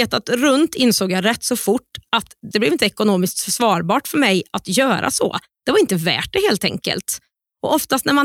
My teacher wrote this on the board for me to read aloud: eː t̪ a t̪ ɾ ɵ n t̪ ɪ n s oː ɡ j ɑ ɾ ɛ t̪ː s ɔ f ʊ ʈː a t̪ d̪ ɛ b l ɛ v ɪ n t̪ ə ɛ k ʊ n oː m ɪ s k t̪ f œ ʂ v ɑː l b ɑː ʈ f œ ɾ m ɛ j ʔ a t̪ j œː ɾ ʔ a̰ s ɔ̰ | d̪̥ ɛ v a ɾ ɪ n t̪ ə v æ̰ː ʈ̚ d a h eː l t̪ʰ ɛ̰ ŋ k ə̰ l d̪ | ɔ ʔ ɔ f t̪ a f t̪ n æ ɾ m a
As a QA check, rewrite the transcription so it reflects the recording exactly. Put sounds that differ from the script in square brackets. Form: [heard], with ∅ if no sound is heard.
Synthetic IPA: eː t̪ a t̪ ɾ ɵ n t̪ ɪ n s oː ɡ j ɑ ɾ ɛ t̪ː s ɔ f ʊ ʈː a t̪ d̪ ɛ b l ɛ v ɪ n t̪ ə ɛ k ʊ n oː m ɪ s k t̪ f œ ʂ v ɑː [ɾ] b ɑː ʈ f œ ɾ m ɛ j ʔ a t̪ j œː ɾ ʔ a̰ s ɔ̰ | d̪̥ ɛ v a ɾ ɪ n t̪ ə v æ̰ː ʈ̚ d [ɛ] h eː l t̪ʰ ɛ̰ ŋ k ə̰ l [t̪] | ɔ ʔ ɔ f t̪ a [s] t̪ n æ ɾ m a